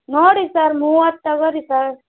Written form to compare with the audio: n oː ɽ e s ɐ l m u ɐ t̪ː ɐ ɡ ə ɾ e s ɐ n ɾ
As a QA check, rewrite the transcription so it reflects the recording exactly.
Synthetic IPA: n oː ɽ i s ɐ ɾ m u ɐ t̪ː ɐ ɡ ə ɾ i s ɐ ɾ